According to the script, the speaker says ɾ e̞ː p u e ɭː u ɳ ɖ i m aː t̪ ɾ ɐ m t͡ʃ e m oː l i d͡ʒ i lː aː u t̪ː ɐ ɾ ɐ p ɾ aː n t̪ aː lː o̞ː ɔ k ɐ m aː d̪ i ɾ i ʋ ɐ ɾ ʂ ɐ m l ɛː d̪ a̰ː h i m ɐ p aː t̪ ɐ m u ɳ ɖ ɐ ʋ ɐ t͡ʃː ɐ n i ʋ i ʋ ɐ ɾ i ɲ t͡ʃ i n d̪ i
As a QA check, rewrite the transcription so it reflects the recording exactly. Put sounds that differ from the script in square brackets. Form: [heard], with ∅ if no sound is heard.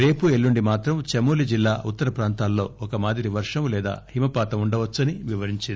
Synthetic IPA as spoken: ɾ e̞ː p u e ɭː u ɳ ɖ i m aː t̪ ɾ ɐ m t͡ʃ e m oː l i d͡ʒ i lː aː u t̪ː ɐ ɾ ɐ p ɾ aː n t̪ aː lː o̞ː ɔ k ɐ m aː d̪ i ɾ i ʋ ɐ ɾ ʂ ɐ m l ɛː d̪ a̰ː h i m ɐ p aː t̪ ɐ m u ɳ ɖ ɐ ʋ ɐ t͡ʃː ɐ n i ʋ i ʋ ɐ ɾ i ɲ t͡ʃ i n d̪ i